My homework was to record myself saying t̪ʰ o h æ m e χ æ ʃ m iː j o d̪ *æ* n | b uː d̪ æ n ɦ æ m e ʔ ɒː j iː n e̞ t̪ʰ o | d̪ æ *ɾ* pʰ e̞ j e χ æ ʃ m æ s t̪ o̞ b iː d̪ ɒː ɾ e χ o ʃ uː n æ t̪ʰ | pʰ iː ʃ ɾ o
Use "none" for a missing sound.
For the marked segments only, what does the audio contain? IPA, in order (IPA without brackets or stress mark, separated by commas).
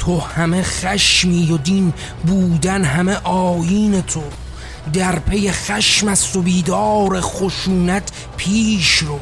i, ɾ